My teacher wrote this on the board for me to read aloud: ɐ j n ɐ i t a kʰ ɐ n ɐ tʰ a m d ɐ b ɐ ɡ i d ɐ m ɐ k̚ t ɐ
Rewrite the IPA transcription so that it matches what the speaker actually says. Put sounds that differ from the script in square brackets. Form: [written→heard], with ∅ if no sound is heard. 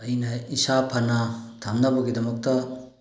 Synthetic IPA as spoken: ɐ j n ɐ i [t→s] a [kʰ→pʰ] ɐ n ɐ tʰ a m [d→n] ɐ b ɐ ɡ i d ɐ m ɐ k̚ t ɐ

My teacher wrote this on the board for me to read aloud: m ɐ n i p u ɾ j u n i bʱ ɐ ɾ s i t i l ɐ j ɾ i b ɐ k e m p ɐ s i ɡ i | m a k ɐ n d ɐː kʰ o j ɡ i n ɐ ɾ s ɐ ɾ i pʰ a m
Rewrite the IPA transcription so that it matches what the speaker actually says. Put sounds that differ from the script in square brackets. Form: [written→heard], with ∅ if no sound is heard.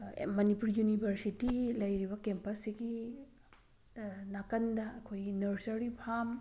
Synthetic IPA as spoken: m ɐ n i p u ɾ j u n i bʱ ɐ ɾ s i t i l ɐ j ɾ i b ɐ k e m p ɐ s i ɡ i | [m→n] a k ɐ n d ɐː kʰ o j ɡ i n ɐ ɾ s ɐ ɾ i pʰ a m

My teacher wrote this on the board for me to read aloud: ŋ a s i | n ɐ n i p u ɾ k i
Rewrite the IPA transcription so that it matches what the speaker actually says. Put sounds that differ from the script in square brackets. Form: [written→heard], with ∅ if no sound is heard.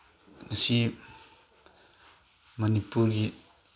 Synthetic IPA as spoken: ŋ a s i | [n→m] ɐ n i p u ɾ [k→ɡ] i

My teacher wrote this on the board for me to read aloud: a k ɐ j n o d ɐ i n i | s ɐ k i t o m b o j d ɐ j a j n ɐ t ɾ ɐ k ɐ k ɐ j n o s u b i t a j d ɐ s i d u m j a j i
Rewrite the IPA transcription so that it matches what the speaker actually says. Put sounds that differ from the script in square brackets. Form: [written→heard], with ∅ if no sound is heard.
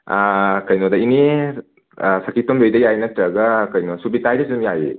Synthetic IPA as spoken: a k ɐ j n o d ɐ i n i | s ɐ k i t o m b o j d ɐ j a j n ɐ t ɾ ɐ [k→ɡ] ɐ k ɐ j n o s u b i t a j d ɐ s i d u m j a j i

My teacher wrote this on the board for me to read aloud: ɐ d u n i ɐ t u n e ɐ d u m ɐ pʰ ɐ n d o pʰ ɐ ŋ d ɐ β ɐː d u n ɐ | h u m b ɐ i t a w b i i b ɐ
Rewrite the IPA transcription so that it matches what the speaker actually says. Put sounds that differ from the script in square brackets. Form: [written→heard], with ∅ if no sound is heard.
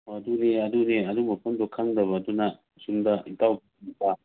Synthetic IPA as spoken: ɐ d u n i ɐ [t→d] u n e ɐ d u m ɐ pʰ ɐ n d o [pʰ→kʰ] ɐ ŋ d ɐ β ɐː d u n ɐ | [h→s] u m [b→d] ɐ i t a w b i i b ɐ

